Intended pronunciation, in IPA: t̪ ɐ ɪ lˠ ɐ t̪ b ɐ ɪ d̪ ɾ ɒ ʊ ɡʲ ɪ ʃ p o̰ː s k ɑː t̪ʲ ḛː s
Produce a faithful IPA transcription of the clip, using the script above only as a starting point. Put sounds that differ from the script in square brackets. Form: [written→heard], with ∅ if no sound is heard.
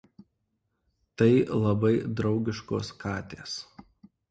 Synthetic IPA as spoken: t̪ ɐ ɪ lˠ ɐ [t̪→∅] b ɐ ɪ d̪ ɾ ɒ ʊ ɡʲ ɪ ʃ [p→k] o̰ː s k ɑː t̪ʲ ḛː s